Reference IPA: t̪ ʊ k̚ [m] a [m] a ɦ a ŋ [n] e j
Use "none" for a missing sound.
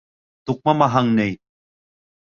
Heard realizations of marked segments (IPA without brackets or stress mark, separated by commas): m, m, n